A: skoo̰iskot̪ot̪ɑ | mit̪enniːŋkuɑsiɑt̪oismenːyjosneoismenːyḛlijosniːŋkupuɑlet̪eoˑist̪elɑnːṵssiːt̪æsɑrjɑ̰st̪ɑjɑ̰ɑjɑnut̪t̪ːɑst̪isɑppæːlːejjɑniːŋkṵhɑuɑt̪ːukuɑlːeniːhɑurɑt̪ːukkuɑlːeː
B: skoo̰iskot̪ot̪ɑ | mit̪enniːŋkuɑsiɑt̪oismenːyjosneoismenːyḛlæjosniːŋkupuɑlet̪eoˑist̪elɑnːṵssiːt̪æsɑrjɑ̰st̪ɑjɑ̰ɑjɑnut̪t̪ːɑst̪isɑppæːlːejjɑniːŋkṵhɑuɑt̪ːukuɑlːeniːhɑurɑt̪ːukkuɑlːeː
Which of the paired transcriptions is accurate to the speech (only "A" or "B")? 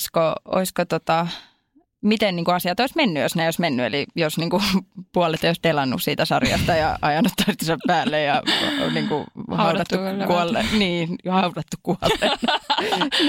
A